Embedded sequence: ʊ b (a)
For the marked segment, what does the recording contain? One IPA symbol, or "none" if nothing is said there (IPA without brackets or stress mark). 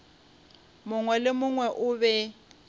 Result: ɛ